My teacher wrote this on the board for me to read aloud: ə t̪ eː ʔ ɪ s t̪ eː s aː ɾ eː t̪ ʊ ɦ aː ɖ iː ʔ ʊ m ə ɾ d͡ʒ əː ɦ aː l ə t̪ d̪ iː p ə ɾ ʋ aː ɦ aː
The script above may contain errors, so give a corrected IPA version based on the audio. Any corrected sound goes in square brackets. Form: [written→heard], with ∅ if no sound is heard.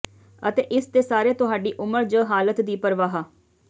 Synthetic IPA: ə t̪ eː ʔ ɪ s t̪ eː s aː ɾ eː t̪ ʊ ɦ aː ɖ iː ʔ ʊ m ə ɾ d͡ʒ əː ɦ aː l ə t̪ d̪ iː p ə ɾ ʋ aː ɦ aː

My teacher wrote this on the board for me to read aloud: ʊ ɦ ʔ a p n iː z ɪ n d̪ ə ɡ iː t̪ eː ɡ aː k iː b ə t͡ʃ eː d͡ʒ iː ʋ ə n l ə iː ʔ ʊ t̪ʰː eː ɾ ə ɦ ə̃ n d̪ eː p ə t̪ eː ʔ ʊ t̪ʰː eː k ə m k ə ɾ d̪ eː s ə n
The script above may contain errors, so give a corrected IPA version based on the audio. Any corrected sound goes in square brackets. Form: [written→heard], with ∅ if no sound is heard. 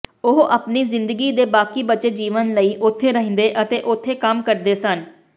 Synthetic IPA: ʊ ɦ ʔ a p n iː z ɪ n d̪ ə ɡ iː [t̪→d̪] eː [ɡ→b] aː k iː b ə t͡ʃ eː d͡ʒ iː ʋ ə n l ə iː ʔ ʊ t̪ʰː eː ɾ ə ɦ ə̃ n d̪ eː [p→ʔ] ə t̪ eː ʔ ʊ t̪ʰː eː k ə m k ə ɾ d̪ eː s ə n

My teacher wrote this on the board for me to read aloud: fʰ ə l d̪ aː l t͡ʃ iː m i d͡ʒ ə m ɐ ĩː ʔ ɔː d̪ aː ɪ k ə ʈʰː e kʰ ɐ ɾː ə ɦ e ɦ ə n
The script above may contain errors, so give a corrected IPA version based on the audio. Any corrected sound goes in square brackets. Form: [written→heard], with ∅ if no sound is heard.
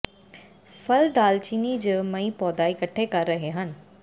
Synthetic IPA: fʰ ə l d̪ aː l t͡ʃ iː [m→n] i d͡ʒ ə m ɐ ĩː [ʔ→p] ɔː d̪ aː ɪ k ə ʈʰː e [kʰ→k] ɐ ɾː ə ɦ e ɦ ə n

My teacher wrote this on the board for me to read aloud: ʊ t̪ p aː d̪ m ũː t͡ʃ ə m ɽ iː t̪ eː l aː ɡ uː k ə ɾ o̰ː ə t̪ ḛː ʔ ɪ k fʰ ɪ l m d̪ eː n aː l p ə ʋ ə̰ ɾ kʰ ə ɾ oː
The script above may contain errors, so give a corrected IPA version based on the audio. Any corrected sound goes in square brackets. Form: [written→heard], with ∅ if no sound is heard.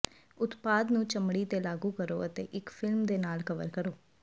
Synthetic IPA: ʊ t̪ p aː d̪ [m→n] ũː t͡ʃ ə m ɽ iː t̪ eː l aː ɡ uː k ə ɾ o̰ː ə t̪ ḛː ʔ ɪ k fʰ ɪ l m d̪ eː n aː l [p→k] ə ʋ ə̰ ɾ [kʰ→k] ə ɾ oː

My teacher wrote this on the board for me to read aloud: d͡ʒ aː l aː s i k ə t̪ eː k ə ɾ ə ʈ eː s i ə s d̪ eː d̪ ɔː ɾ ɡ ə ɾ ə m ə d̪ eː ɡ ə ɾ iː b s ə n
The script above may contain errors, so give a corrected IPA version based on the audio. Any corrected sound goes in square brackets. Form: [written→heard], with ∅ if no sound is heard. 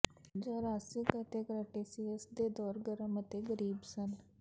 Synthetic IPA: d͡ʒ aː [l→ɾ] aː s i k ə t̪ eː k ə ɾ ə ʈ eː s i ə s d̪ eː d̪ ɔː ɾ ɡ ə ɾ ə m ə [d̪→t̪] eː ɡ ə ɾ iː b s ə n

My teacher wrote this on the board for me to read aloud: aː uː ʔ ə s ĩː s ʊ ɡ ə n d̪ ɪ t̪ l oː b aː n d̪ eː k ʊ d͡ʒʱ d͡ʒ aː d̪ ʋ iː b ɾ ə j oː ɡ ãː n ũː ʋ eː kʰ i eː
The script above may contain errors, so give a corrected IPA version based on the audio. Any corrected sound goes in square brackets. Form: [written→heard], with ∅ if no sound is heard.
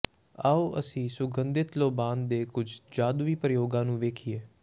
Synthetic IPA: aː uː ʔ ə s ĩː s ʊ ɡ ə n d̪ ɪ t̪ l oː b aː n d̪ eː k ʊ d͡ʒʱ d͡ʒ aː d̪ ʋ iː [b→p] ɾ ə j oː ɡ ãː n ũː ʋ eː kʰ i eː

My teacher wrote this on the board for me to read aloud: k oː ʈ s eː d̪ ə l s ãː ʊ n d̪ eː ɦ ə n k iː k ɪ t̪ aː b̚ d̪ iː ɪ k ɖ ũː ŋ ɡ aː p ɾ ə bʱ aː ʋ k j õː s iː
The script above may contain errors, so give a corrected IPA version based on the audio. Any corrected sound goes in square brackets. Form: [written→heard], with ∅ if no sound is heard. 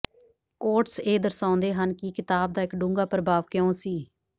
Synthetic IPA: k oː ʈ s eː d̪ ə [l→ɾ] s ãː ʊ n d̪ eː ɦ ə n k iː k ɪ t̪ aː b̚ d̪ [iː→aː] ɪ k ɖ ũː ŋ ɡ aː p ɾ ə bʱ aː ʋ k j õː s iː

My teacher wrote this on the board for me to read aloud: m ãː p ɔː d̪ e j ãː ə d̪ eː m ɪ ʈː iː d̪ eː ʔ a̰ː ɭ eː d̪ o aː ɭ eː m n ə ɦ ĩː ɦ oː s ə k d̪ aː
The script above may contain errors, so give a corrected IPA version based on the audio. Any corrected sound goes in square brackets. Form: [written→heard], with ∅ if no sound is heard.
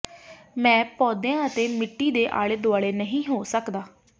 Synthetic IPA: m [ãː→ɛ̃ː] p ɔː d̪ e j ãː ə [d̪→t̪] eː m ɪ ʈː iː d̪ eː ʔ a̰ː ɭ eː d̪ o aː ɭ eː [m→∅] n ə ɦ ĩː ɦ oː s ə k d̪ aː

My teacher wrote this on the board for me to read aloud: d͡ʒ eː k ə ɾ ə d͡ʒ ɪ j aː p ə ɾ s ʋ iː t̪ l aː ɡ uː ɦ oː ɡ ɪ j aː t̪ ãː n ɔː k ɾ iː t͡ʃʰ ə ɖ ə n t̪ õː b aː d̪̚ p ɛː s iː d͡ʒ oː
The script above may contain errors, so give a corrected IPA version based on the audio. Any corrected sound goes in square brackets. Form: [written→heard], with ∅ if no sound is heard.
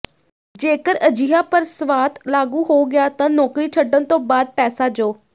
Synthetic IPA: d͡ʒ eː k ə ɾ ə d͡ʒ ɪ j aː p ə ɾ s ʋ [iː→aː] t̪ l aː ɡ uː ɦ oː ɡ ɪ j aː t̪ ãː n ɔː k ɾ iː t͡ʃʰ ə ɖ ə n t̪ õː b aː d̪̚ p ɛː s [iː→aː] d͡ʒ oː

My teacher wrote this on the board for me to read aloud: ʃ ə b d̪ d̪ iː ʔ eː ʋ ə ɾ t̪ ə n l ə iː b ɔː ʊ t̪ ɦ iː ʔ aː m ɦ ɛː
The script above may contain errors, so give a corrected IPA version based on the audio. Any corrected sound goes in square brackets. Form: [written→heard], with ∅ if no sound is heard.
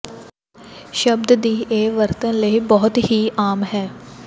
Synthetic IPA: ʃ ə b d̪ d̪ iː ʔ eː ʋ ə ɾ t̪ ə n l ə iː b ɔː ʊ t̪ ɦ iː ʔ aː m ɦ ɛː

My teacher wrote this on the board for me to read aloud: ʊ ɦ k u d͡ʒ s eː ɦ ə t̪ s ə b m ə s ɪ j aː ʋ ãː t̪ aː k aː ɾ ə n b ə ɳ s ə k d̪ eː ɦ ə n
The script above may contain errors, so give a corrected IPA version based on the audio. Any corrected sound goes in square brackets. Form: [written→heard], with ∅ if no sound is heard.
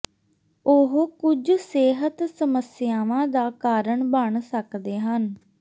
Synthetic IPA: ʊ ɦ k [u→ʊ] d͡ʒ s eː ɦ ə t̪ s ə [b→∅] m ə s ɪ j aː ʋ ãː [t̪→d̪] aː k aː ɾ ə [n→ɳ] b ə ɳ s ə k d̪ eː ɦ ə n

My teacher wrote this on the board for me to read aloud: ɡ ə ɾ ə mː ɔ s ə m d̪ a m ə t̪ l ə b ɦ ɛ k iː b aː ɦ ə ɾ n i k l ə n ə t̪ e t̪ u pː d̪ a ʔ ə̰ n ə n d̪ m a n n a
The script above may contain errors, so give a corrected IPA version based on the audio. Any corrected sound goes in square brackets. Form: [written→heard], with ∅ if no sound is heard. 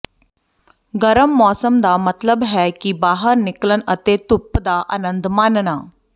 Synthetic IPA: ɡ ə ɾ ə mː ɔ s ə m d̪ a m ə t̪ l ə b ɦ ɛ k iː b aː ɦ ə ɾ n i k l ə n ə t̪ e t̪ u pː d̪ a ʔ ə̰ n ə n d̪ m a n n a

